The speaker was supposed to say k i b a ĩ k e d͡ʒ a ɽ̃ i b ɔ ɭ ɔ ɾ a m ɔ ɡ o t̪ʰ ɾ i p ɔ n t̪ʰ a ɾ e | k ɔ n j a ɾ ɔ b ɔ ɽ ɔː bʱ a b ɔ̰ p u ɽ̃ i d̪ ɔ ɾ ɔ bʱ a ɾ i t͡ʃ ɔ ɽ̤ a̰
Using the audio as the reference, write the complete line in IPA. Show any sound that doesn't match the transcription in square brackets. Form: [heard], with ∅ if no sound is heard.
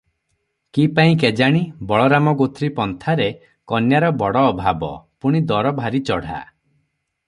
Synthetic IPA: k i [p] a ĩ k e d͡ʒ a ɽ̃ i b ɔ ɭ ɔ ɾ a m ɔ ɡ o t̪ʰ ɾ i p ɔ n t̪ʰ a ɾ e | k ɔ n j a ɾ ɔ b ɔ ɽ ɔː bʱ a b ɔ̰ p u ɽ̃ i d̪ ɔ ɾ ɔ bʱ a ɾ i t͡ʃ ɔ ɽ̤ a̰